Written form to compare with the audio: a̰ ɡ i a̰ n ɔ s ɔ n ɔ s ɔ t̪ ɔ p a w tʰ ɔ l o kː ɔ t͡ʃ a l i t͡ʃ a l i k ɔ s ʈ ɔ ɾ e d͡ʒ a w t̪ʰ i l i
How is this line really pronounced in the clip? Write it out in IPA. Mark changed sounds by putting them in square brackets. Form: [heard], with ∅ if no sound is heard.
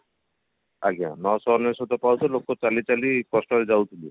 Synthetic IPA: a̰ ɡ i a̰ n ɔ s ɔ n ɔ s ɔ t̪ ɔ p a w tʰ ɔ l o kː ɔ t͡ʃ a l i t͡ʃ a l i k ɔ s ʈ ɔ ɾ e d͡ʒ a w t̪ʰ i l i